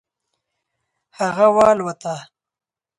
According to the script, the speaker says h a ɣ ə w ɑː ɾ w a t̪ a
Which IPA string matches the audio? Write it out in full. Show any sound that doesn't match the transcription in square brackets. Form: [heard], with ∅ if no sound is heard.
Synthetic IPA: h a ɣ [a] w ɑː [l] w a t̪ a